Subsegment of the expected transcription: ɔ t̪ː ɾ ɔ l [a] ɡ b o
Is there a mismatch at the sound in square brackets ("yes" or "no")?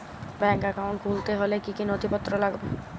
no